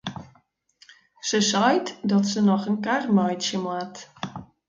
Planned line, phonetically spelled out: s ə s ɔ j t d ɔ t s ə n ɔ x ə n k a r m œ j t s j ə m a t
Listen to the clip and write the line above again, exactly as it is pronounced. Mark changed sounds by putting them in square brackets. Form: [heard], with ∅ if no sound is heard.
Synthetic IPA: s ə s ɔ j t d ɔ t s ə n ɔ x ə n k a r m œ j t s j ə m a t